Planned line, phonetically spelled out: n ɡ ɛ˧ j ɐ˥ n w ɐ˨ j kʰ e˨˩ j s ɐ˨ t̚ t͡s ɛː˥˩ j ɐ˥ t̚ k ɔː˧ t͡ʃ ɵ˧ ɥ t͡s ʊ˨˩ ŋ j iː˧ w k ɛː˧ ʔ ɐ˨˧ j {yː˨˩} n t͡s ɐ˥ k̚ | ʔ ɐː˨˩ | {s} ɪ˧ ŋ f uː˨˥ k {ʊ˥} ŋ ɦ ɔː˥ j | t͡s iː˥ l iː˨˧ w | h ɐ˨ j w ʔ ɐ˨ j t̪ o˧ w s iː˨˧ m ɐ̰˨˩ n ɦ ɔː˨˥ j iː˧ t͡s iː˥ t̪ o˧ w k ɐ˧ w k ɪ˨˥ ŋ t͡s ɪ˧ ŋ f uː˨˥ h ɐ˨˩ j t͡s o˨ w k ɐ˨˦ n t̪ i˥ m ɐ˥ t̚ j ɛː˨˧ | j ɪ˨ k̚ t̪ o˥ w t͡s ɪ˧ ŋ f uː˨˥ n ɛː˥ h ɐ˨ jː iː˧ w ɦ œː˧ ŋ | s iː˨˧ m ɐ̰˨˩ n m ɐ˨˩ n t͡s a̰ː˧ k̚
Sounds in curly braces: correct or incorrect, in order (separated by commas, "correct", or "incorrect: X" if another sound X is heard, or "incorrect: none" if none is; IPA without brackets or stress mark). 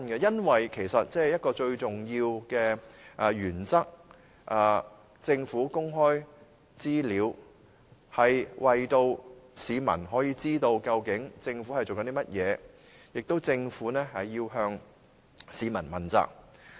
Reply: correct, incorrect: t͡s, correct